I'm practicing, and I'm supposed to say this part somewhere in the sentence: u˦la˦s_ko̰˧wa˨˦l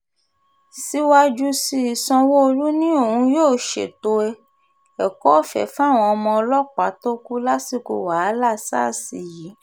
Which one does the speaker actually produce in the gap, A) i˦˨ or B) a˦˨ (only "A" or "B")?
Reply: A